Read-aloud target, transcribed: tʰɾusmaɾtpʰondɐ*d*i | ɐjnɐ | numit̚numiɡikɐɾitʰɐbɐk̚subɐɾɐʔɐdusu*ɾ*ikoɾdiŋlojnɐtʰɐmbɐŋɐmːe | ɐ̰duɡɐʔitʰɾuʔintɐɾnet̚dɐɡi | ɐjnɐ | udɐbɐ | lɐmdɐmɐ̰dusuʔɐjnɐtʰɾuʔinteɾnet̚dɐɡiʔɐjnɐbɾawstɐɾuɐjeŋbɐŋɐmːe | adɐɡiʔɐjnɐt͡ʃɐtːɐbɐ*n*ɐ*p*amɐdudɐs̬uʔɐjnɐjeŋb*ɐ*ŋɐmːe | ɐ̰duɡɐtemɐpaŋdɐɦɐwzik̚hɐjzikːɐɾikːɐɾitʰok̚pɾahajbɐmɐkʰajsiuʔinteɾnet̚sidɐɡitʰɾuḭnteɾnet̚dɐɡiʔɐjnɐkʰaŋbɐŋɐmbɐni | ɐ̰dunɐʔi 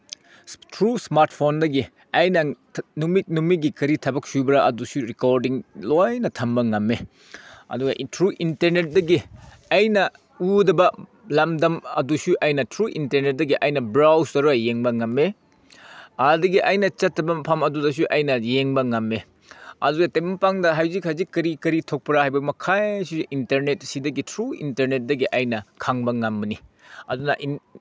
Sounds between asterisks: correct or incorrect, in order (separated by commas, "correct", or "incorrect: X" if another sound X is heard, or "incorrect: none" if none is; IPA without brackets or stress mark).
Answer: incorrect: ɡ, correct, incorrect: m, incorrect: pʰ, correct